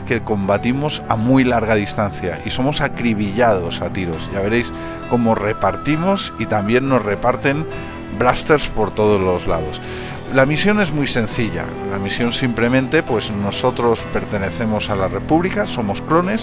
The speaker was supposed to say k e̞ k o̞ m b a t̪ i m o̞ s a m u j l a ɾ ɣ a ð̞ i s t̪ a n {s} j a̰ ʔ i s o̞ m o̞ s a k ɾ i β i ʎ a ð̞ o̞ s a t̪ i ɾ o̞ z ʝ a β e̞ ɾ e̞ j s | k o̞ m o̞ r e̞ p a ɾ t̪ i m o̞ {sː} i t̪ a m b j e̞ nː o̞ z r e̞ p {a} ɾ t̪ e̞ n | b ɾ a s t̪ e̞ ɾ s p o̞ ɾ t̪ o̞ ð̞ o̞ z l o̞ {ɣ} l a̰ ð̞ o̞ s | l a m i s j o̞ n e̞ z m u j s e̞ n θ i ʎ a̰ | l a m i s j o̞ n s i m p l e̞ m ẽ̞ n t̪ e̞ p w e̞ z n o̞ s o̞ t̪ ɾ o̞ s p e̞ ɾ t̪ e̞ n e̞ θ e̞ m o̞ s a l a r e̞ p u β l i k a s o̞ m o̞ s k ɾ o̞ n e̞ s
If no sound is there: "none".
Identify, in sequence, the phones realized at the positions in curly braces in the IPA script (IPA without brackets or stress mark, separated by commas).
θ, s, a, z